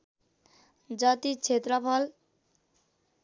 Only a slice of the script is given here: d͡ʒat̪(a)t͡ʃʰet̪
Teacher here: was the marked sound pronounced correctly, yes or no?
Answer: no